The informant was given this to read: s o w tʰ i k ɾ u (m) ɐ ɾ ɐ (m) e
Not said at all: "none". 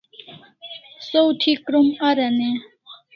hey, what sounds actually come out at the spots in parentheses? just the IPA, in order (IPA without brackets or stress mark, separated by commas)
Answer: m, n